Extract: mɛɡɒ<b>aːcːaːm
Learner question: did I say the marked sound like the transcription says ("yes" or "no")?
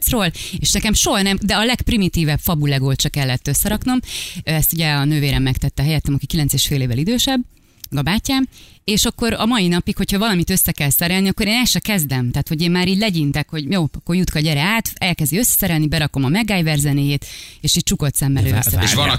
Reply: yes